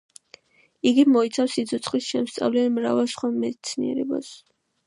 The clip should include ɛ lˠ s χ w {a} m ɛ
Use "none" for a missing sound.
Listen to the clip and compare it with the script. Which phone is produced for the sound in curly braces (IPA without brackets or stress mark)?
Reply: a